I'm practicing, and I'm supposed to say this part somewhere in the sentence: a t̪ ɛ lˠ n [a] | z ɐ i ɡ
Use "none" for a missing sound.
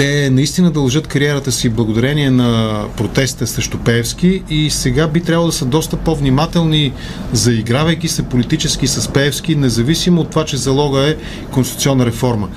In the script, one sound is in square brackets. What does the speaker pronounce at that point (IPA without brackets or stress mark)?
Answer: i